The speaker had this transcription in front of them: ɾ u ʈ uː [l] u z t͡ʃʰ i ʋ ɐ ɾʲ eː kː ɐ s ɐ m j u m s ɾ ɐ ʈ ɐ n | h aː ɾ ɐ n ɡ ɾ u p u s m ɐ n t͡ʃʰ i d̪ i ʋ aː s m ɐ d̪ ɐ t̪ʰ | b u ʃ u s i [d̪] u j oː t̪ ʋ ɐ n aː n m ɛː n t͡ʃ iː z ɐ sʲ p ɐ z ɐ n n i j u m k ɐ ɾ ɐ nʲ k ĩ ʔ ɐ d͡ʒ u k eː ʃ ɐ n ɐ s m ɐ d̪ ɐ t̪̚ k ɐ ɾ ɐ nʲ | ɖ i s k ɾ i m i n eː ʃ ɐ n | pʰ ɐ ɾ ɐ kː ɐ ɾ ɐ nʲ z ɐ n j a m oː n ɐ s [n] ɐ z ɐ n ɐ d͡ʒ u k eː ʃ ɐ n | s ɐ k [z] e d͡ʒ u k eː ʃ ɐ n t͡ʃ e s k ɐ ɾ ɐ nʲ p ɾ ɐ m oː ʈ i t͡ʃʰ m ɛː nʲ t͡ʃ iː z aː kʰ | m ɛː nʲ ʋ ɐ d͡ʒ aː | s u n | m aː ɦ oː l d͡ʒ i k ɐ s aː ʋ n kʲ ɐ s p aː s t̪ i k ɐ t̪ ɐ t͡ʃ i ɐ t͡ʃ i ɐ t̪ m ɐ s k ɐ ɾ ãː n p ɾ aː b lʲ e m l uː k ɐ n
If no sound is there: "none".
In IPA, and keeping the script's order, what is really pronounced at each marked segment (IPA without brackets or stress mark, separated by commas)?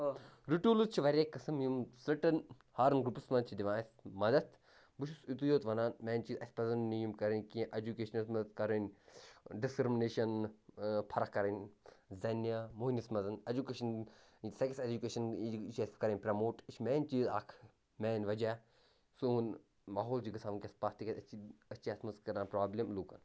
l, t̪, m, s